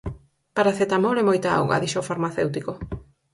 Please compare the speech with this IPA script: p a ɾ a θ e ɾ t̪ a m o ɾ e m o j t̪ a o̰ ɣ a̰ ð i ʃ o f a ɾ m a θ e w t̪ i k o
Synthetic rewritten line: p a ɾ a θ e t̪ a m o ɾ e m o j t̪ a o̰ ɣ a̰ ð i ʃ o f a ɾ m a θ e w t̪ i k o